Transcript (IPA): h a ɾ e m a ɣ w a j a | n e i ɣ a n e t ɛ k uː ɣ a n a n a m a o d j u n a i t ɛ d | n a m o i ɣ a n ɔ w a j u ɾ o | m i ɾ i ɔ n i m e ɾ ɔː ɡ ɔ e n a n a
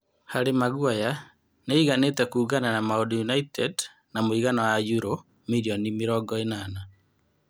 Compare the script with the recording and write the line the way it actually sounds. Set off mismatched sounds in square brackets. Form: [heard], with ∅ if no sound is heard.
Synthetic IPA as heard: h a ɾ e m a ɣ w a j a | n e i ɣ a n e t ɛ k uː ɣ a n a n a m a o d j u n a i t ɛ d | n a m o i ɣ a n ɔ w a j u ɾ o | m i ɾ i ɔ n i m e ɾ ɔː ɡ ɔ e n a n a